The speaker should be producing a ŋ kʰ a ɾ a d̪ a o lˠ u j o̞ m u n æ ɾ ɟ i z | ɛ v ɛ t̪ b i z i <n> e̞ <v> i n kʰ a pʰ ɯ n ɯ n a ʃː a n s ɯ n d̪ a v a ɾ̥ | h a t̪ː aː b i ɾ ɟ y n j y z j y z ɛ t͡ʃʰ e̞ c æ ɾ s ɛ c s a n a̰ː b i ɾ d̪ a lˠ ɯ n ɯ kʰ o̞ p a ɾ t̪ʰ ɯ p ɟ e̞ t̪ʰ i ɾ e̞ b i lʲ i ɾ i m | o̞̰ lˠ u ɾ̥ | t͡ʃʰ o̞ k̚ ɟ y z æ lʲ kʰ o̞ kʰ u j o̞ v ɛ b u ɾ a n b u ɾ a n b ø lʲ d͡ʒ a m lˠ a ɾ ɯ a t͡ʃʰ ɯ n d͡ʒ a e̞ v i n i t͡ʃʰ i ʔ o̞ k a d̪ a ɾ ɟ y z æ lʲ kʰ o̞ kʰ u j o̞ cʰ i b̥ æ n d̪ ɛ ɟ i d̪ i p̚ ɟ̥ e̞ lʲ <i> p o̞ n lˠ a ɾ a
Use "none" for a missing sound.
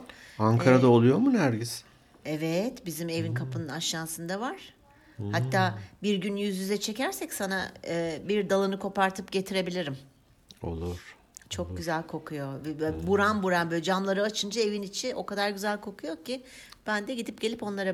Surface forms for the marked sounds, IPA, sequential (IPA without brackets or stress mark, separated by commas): m, v, i